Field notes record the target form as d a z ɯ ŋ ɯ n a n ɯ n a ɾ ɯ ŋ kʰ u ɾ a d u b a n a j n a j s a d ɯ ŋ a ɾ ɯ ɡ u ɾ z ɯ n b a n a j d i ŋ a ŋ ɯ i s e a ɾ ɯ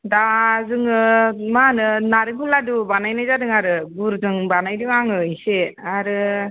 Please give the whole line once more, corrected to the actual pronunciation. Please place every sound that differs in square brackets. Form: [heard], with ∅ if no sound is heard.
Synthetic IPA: d a z ɯ ŋ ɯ [m] a n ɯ n a ɾ ɯ ŋ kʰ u [l] a d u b a n a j n a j [z] a d ɯ ŋ a ɾ ɯ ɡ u ɾ z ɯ [ŋ] b a n a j d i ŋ a ŋ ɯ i s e a ɾ ɯ